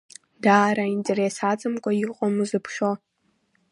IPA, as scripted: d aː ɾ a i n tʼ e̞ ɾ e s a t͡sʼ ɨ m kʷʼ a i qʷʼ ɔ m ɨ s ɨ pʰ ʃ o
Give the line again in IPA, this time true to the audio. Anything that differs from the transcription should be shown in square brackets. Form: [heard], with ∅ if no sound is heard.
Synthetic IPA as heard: d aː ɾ a i n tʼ e̞ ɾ e s a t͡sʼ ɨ m kʷʼ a i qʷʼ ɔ m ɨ [z] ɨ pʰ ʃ o